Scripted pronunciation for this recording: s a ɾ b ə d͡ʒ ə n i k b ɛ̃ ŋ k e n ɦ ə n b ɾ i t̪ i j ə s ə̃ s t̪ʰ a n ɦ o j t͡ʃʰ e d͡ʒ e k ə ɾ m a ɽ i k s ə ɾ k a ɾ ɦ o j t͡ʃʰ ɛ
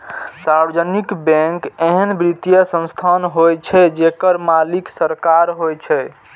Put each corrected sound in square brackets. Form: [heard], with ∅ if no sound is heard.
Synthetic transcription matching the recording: s a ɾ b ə d͡ʒ ə n i k b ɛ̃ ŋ k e [∅] ɦ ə n b ɾ i t̪ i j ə s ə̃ s t̪ʰ a n ɦ o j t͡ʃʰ [ɛ] d͡ʒ e k ə ɾ m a [l] i k s ə ɾ k a ɾ ɦ o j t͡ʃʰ ɛ